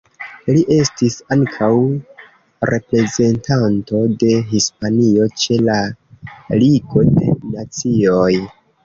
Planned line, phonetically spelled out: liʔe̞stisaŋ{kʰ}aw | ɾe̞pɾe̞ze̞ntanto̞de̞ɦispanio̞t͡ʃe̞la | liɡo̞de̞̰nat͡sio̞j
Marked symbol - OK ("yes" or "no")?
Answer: yes